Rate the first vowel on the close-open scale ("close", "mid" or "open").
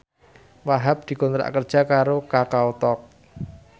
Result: open